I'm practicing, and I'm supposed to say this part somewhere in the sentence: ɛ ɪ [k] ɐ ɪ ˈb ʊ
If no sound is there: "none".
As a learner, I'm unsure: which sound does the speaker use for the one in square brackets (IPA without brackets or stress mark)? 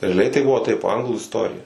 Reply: t